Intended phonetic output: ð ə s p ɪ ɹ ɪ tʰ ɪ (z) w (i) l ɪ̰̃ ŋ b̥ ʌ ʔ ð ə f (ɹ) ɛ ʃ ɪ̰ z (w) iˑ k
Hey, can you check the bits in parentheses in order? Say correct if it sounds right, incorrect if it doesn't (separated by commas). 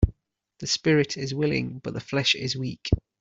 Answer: correct, incorrect, incorrect, correct